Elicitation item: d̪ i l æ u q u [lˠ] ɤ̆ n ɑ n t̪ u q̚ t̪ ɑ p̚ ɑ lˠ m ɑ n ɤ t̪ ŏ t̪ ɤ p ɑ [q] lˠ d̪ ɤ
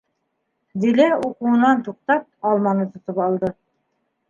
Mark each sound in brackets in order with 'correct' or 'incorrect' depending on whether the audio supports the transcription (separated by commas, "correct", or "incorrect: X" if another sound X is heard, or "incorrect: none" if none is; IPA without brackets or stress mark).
incorrect: none, incorrect: none